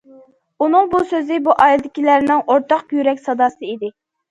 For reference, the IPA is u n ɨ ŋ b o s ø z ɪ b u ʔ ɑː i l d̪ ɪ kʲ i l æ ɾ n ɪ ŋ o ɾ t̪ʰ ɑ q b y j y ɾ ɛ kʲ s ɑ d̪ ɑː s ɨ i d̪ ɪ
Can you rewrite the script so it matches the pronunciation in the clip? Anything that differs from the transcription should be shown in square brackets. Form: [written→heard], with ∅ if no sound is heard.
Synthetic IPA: u n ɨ ŋ b [o→u] s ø z ɪ b u ʔ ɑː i l d̪ ɪ kʲ i l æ ɾ n ɪ ŋ o ɾ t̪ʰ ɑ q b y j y ɾ ɛ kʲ s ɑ d̪ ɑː s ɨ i d̪ ɪ